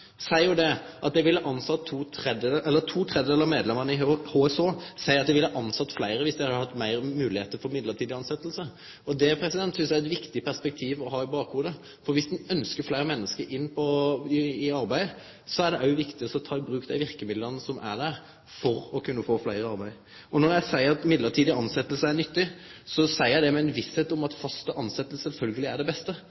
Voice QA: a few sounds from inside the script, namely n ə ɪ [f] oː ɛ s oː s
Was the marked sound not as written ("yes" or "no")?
yes